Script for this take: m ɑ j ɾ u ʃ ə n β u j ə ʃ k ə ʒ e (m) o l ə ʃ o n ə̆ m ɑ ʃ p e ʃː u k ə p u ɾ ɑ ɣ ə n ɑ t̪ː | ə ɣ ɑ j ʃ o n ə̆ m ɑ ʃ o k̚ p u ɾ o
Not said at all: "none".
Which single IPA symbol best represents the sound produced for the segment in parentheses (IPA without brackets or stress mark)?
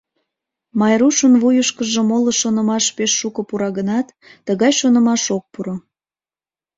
m